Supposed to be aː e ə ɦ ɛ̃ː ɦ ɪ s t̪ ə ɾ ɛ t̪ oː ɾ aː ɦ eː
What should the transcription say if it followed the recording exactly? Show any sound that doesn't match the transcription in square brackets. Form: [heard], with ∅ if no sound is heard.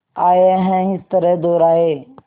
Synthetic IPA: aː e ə ɦ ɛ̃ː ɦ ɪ s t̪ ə ɾ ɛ [d̪] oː ɾ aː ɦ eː